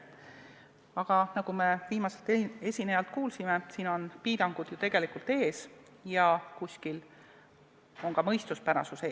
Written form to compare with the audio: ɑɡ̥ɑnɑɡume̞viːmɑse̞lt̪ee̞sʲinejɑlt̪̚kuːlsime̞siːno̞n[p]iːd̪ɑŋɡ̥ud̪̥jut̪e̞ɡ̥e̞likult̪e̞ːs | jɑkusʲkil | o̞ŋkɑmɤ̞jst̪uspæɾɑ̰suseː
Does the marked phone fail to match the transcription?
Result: no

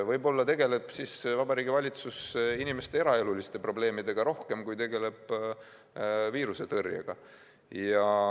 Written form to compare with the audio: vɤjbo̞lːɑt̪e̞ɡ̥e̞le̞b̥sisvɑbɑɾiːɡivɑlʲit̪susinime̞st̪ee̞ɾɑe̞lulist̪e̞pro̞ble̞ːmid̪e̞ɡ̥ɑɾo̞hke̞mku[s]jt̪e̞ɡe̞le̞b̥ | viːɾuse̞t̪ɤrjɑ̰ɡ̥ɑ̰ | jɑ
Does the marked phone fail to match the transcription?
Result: yes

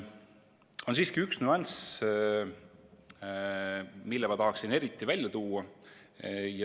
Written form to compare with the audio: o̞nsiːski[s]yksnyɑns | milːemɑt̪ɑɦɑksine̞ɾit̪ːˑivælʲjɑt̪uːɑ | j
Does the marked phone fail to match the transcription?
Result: yes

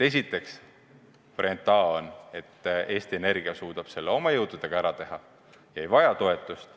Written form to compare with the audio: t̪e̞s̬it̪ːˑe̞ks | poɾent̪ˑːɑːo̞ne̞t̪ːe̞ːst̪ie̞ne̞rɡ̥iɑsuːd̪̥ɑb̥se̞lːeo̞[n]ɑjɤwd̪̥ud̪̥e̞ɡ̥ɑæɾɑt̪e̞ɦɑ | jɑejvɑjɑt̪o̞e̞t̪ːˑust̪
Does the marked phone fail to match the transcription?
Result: yes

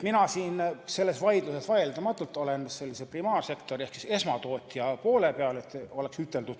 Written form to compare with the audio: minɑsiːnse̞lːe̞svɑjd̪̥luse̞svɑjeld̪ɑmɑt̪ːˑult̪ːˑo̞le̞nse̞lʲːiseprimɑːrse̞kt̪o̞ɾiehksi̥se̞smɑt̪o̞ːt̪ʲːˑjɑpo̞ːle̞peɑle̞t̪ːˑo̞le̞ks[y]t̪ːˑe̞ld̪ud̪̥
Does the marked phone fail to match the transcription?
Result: no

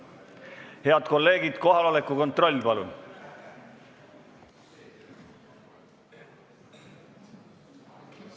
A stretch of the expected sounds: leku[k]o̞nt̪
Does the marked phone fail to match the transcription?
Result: no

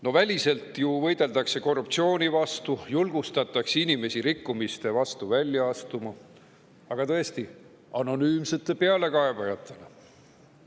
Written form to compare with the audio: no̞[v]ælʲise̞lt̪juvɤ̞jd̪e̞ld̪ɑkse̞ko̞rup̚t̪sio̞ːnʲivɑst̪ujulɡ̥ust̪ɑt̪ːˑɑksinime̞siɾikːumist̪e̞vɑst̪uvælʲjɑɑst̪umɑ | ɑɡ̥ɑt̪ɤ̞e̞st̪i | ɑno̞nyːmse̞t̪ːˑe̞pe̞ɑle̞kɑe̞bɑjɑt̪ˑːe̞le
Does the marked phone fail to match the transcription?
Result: no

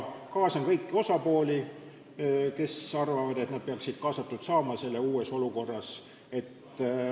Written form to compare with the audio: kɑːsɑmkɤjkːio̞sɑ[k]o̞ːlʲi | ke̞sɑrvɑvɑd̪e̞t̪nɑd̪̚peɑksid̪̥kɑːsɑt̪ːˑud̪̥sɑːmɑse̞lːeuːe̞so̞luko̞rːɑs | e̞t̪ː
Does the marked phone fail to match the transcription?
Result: yes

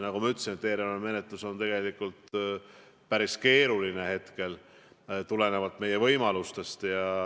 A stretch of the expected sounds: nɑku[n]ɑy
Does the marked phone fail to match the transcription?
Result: yes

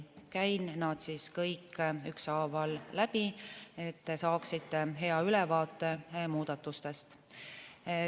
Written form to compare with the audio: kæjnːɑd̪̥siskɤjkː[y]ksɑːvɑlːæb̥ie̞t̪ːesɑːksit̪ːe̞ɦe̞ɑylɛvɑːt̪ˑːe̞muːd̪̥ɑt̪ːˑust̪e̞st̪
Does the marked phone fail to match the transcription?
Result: no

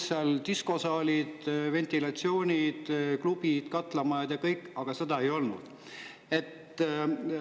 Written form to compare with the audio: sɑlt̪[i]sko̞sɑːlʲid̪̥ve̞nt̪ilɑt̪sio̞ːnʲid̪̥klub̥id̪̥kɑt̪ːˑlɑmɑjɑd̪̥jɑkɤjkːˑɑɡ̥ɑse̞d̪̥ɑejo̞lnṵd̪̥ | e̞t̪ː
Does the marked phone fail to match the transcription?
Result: no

